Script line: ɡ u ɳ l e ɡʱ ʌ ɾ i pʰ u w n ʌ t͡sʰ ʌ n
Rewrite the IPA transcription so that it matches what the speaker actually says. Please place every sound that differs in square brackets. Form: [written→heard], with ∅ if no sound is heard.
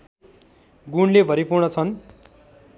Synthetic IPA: ɡ u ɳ l e [ɡʱ→bʱ] ʌ ɾ i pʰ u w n ʌ t͡sʰ ʌ n